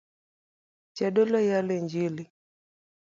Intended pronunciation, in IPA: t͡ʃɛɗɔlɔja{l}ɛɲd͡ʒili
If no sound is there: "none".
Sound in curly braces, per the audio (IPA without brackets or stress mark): l